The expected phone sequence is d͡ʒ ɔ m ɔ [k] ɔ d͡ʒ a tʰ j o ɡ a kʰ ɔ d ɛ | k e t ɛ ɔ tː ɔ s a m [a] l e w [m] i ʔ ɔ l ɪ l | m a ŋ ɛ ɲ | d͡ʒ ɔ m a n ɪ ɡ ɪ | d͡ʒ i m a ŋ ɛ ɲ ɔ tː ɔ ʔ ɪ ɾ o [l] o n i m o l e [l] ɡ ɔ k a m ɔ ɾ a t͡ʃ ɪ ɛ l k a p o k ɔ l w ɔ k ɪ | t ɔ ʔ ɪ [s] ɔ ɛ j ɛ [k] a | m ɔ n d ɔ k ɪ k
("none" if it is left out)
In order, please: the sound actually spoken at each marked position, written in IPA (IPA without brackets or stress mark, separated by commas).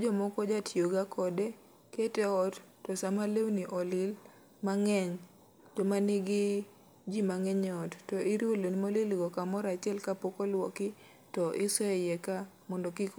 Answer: k, a, n, l, l, s, k